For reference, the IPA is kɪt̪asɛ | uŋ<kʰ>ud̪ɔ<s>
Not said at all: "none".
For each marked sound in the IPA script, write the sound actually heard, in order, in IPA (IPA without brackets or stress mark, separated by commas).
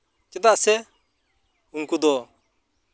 k, none